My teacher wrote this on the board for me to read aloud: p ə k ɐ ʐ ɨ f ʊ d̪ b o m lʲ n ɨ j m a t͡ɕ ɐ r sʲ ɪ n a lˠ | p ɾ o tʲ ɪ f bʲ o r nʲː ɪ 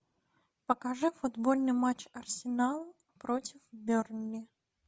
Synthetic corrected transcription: p ə k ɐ ʐ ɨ f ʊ d̪ b o lʲ n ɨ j m a t͡ɕ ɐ r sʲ ɪ n a lˠ | p ɾ o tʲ ɪ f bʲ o r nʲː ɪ